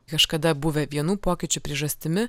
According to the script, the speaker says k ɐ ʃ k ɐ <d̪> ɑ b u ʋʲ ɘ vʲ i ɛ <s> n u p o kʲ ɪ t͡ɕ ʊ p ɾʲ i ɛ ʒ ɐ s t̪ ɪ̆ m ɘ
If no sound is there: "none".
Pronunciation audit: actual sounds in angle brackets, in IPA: d̪, none

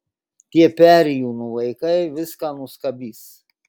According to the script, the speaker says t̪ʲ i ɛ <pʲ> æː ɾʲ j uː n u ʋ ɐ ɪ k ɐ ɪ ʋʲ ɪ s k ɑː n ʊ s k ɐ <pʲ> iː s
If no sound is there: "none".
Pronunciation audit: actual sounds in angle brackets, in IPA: pʲ, bʲ

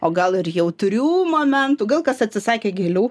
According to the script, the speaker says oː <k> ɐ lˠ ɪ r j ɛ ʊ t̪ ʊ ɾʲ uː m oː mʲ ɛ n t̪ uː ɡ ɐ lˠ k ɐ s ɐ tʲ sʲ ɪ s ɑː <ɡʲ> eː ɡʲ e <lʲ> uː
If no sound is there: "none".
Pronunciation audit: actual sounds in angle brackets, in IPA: ɡ, kʲ, lʲ

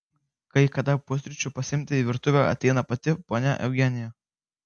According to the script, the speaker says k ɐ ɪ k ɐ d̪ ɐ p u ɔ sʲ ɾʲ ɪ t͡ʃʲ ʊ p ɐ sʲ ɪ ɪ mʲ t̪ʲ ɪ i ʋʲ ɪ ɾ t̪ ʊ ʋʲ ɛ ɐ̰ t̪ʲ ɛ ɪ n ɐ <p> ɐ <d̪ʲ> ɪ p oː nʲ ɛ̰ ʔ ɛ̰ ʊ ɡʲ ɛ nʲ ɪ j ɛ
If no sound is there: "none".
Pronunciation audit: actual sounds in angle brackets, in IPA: p, t̪ʲ

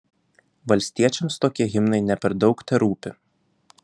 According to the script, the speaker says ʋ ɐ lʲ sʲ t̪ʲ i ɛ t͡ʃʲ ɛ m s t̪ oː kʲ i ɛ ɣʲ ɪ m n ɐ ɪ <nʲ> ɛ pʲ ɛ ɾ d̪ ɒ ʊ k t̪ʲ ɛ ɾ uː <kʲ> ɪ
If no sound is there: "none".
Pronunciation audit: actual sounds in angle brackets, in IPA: nʲ, pʲ

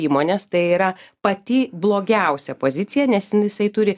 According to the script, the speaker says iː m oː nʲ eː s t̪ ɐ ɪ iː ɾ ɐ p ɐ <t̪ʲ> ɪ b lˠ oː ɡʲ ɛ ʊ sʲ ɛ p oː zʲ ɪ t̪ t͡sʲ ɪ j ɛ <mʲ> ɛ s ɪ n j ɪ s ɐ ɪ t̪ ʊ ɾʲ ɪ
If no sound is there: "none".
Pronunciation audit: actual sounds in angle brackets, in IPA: t̪ʲ, nʲ

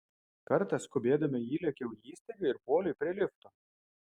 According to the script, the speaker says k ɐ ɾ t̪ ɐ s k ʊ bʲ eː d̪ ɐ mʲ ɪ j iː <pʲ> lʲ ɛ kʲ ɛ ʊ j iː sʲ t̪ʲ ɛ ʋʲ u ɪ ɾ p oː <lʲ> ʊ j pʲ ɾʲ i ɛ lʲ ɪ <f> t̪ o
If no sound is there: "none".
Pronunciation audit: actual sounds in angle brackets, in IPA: none, lʲ, f

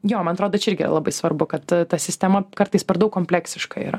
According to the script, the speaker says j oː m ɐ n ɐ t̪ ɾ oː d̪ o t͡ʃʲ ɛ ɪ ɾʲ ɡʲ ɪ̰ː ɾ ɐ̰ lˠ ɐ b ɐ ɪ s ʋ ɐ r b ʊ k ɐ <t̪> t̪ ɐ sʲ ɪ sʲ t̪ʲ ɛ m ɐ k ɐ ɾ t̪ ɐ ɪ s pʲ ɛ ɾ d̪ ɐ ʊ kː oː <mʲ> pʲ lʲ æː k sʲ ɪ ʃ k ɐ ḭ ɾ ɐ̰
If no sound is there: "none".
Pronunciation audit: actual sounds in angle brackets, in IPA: t̪, mʲ

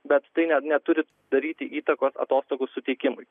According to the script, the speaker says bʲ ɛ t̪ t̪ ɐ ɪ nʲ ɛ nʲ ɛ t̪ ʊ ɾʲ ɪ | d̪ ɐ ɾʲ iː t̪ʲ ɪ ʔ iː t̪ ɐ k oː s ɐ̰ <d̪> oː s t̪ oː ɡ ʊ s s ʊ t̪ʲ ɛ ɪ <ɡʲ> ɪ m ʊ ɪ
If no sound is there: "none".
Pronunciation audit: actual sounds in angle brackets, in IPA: t̪, kʲ

